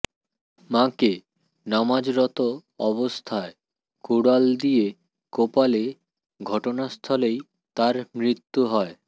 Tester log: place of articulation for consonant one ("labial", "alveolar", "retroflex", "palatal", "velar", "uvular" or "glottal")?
labial